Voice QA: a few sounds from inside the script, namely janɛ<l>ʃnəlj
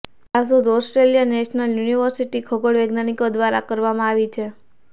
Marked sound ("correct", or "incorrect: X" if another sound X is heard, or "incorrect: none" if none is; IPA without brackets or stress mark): incorrect: none